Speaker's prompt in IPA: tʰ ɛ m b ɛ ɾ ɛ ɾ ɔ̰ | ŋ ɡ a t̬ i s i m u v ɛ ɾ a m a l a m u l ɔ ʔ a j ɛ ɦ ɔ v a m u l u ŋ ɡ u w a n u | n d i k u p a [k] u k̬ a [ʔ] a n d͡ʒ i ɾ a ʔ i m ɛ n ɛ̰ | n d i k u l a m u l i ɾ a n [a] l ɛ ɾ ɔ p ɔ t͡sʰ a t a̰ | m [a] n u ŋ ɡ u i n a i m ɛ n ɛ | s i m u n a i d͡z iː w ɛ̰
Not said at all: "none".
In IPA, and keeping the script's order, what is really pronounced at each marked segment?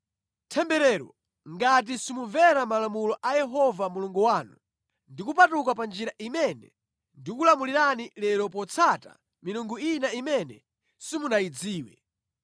t, p, i, i

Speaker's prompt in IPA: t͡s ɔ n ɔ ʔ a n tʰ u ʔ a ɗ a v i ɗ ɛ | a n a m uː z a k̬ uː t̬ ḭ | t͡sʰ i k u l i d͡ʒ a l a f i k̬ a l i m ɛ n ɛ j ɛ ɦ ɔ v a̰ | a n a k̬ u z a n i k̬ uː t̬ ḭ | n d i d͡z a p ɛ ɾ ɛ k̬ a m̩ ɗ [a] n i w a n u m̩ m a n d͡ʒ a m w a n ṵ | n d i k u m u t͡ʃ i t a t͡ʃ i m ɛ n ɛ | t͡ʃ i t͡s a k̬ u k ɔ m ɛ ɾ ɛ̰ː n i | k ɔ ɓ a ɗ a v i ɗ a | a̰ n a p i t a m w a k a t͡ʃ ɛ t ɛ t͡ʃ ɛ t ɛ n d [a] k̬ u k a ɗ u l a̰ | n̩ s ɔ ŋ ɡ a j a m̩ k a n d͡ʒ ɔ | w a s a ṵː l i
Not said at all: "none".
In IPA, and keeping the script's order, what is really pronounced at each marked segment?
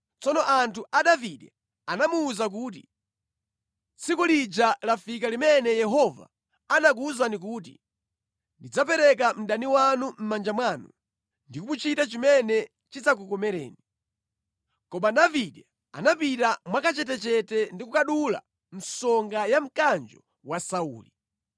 a, i

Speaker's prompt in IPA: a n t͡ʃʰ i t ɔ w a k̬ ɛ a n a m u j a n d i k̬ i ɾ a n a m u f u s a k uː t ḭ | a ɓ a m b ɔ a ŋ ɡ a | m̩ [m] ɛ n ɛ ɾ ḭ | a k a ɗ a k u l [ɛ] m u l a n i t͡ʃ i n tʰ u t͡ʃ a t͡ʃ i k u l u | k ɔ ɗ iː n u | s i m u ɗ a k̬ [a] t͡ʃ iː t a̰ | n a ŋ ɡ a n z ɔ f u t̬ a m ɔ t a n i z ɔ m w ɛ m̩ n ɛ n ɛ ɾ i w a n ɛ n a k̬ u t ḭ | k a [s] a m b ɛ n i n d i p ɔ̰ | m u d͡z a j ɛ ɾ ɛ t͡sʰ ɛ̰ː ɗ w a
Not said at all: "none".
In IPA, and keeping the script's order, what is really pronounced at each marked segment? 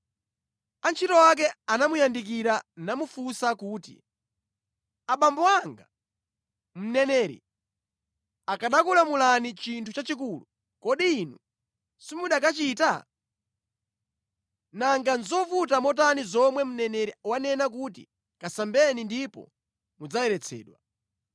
n, a, a, s

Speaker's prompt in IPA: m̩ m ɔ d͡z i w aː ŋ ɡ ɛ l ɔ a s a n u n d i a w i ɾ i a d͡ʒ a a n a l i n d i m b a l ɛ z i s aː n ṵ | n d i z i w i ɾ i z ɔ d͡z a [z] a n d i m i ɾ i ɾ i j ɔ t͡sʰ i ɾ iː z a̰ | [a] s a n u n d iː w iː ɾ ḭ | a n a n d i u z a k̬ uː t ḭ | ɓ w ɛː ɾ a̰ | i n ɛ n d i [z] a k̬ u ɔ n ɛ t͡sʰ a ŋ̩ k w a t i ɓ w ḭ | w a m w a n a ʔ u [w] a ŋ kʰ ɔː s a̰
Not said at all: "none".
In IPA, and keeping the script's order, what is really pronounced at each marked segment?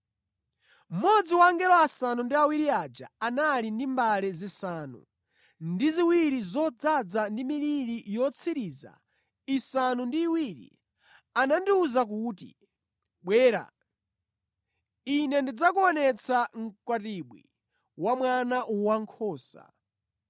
d͡z, i, d͡z, w

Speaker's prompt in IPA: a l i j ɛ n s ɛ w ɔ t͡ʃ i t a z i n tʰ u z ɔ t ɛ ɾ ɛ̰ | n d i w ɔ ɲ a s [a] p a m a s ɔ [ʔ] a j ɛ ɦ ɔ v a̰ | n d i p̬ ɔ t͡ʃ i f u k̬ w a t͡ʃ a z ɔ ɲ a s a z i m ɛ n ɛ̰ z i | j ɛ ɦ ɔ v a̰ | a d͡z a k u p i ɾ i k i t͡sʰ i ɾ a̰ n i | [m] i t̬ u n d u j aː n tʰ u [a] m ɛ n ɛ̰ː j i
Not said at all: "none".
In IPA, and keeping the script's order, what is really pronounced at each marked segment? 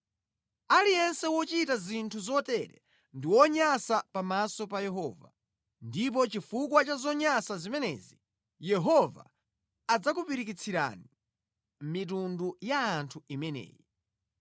a, p, m, i

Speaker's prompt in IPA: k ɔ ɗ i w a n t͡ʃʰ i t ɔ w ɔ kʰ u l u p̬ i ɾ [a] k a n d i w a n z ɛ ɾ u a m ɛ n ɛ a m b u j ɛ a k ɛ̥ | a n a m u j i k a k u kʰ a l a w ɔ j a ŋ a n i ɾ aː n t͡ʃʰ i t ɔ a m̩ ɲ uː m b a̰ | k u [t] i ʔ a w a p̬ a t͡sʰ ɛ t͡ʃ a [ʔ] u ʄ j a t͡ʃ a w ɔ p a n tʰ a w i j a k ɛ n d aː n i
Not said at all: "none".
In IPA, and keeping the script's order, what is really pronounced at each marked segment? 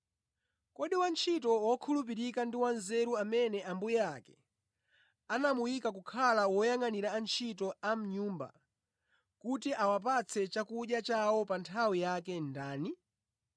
i, t, k

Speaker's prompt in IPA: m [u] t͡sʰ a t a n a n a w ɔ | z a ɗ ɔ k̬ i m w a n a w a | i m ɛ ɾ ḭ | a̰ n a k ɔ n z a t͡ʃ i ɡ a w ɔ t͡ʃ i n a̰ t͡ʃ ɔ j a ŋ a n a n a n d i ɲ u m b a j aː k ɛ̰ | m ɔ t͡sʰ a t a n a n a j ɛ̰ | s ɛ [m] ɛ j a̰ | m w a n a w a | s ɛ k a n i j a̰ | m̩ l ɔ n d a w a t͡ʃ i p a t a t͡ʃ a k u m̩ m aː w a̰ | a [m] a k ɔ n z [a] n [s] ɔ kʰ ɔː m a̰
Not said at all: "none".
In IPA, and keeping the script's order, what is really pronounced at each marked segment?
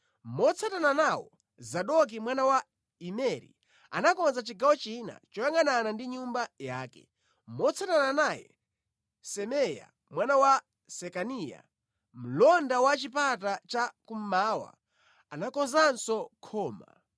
ɔ, m, n, a, s

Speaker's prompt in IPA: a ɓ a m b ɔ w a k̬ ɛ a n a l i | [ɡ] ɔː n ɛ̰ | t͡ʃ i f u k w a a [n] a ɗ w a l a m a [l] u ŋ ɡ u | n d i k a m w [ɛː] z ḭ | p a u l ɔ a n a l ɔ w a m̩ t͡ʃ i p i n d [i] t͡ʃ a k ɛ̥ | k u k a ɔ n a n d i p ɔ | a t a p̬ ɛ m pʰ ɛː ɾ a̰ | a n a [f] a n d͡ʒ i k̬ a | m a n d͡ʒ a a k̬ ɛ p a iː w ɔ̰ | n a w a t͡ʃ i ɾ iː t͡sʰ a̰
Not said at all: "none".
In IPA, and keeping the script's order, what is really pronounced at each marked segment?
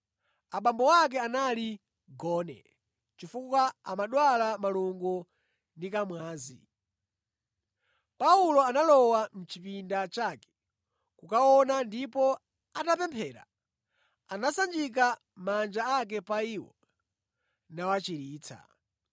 ɡ, m, l, aː, a, s

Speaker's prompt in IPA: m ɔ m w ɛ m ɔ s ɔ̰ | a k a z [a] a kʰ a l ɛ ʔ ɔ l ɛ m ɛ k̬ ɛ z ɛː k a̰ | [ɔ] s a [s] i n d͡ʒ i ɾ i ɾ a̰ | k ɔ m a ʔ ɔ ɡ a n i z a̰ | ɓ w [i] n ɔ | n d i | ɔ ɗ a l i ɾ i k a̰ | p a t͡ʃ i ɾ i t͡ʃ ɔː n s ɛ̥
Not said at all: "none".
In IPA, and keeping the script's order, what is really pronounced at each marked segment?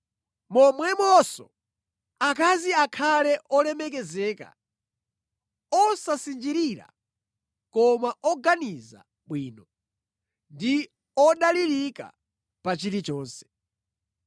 i, ɔ, s, iː

